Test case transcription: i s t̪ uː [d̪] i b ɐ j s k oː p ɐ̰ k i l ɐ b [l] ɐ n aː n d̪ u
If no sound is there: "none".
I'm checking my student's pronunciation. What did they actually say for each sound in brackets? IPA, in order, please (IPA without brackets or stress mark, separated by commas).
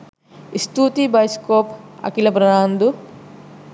t̪, ɾ